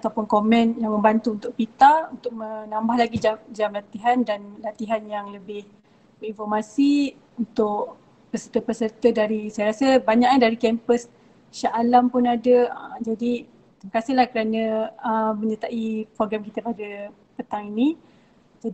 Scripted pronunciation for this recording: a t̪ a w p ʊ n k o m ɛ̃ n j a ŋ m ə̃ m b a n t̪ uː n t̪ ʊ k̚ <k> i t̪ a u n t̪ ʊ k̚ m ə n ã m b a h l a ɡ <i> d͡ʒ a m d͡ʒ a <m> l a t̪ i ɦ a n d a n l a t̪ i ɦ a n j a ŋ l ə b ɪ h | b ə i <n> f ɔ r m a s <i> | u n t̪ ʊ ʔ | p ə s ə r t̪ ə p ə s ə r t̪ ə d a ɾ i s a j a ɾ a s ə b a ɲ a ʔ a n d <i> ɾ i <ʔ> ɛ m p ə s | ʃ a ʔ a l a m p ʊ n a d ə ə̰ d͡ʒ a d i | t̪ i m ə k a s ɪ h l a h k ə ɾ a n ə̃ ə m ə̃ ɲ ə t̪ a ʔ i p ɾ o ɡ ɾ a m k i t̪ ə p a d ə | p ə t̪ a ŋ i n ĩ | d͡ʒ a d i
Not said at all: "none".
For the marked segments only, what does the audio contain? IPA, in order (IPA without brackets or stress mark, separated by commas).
p, i, m, n, i, a, k